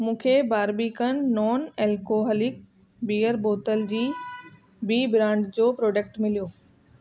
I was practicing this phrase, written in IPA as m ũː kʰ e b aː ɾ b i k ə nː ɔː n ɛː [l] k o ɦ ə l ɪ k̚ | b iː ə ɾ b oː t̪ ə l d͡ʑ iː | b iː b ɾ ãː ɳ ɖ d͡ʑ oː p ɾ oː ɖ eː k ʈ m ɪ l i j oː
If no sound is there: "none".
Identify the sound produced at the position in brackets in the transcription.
l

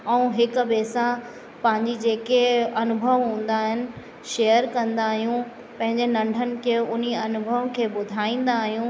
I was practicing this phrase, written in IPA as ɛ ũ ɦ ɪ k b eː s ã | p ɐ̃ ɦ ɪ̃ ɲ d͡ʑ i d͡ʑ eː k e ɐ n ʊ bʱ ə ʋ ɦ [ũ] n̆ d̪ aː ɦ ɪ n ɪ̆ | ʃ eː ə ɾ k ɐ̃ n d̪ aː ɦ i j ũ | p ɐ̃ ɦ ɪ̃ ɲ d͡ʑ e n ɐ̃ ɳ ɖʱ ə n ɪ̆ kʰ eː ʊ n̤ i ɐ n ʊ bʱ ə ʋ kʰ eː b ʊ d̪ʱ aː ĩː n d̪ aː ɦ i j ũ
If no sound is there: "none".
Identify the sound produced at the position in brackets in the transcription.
ũː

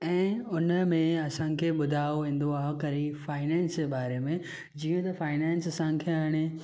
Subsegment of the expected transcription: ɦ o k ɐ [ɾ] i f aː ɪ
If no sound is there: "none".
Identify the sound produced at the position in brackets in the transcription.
ɾ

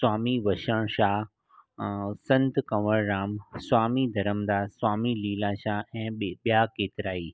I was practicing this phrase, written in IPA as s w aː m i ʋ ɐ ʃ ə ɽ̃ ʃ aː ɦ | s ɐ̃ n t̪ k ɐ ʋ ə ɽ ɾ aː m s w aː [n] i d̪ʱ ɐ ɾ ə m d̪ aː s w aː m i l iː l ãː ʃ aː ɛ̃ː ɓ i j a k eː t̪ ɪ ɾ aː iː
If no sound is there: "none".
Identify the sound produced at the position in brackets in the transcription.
m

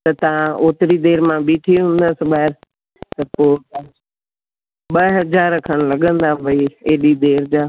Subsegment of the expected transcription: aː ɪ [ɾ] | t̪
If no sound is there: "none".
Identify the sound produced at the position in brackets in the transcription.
ɾ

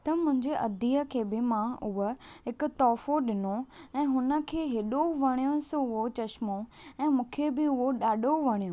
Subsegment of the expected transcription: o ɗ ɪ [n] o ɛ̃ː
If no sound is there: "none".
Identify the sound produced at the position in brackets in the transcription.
n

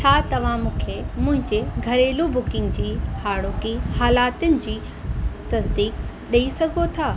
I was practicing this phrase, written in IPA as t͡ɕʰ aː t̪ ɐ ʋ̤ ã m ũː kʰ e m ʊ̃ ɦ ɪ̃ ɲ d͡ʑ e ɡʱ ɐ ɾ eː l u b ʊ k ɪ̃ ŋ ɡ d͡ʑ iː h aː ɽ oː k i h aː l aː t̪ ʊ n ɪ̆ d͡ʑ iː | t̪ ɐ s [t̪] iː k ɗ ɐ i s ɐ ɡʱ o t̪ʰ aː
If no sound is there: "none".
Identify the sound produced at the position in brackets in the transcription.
d̪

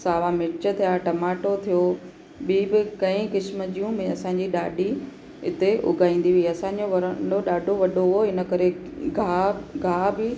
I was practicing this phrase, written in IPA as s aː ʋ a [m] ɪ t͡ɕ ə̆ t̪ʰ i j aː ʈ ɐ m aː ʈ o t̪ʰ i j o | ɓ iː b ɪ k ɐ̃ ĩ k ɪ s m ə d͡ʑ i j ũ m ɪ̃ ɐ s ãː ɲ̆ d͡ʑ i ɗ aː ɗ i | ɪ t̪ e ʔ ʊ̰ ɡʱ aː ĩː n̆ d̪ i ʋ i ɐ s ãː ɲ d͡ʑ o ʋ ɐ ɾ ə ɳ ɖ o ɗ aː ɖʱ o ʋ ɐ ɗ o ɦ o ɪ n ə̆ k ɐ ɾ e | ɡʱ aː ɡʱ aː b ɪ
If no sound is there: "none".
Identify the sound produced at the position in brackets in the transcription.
m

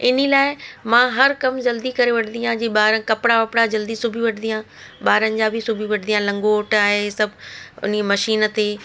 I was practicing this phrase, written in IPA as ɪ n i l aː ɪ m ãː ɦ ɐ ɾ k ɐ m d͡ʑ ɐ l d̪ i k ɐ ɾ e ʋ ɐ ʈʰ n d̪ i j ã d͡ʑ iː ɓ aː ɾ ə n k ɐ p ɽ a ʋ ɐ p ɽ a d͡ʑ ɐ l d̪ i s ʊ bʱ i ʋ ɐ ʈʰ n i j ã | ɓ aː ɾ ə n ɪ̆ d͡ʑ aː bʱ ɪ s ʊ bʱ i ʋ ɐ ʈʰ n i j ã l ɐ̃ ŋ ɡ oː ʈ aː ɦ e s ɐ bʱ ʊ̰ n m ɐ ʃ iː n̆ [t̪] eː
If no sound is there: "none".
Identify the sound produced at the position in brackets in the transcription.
t̪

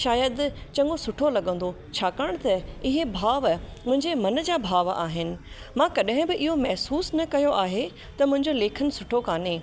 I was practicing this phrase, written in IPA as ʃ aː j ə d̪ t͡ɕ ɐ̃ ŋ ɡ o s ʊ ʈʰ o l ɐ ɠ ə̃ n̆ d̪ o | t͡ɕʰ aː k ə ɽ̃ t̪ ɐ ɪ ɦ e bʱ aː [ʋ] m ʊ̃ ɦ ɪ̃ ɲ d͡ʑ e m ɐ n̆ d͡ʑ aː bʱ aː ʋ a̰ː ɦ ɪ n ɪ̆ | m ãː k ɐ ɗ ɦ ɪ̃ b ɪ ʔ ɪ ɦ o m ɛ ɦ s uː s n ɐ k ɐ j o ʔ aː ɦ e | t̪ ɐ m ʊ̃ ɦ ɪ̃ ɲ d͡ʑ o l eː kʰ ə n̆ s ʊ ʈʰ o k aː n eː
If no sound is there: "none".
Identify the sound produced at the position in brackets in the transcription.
ʋ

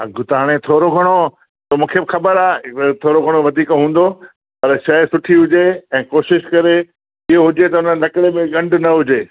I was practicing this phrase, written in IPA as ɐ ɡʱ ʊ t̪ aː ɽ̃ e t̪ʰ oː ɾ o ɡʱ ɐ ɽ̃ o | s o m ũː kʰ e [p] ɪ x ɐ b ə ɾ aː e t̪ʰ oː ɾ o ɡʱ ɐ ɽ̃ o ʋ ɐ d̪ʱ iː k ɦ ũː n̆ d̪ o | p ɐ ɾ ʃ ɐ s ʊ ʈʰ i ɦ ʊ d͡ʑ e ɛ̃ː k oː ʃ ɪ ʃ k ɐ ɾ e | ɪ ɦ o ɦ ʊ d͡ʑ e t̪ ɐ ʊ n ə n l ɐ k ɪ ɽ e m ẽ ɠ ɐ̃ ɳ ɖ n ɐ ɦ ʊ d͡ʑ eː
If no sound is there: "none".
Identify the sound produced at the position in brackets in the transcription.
b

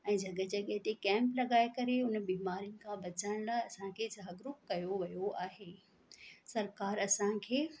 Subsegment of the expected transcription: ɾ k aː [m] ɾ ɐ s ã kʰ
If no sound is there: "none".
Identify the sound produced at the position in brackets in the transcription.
none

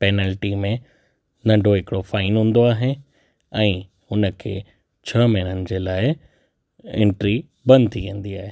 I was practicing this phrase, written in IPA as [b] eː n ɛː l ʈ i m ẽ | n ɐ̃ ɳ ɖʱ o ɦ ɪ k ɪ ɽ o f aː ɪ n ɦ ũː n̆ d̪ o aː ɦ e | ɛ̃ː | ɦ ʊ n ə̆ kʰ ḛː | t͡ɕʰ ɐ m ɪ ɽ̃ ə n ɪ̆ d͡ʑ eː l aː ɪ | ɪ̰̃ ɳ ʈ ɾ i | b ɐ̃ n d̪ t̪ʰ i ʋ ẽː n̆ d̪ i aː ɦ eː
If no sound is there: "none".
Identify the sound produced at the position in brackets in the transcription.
p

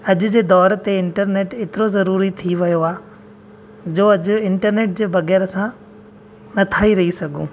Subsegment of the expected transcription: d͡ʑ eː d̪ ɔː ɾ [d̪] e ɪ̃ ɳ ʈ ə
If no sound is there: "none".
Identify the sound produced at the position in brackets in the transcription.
t̪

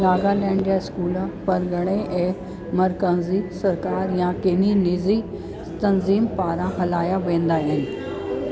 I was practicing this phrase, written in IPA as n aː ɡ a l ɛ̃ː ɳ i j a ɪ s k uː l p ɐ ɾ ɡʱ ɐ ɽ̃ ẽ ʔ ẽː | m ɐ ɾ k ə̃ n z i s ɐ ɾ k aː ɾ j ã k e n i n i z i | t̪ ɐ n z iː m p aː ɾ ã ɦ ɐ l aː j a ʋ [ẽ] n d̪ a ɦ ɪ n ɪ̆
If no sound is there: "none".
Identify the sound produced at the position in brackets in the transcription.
ẽː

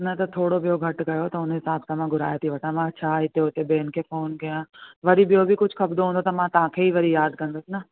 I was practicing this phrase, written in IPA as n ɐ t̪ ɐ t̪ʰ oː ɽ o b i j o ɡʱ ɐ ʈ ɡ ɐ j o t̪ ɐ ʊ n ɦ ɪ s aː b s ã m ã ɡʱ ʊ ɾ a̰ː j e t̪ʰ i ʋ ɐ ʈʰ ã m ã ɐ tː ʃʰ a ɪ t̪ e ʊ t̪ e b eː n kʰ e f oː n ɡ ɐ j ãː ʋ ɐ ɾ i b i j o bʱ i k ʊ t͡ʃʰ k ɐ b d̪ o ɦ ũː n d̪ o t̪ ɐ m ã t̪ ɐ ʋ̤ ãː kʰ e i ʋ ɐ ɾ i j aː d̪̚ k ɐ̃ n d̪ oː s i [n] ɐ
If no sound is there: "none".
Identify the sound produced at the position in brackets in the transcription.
n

